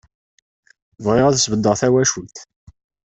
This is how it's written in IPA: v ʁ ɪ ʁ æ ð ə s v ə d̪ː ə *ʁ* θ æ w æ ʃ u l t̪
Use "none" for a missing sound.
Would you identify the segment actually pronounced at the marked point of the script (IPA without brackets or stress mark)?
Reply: ʁ